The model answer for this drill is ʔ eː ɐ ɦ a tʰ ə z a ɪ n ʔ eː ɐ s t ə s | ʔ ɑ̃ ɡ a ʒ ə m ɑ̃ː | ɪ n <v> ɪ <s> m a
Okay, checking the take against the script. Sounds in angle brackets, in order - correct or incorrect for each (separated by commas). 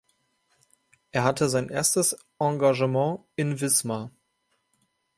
correct, correct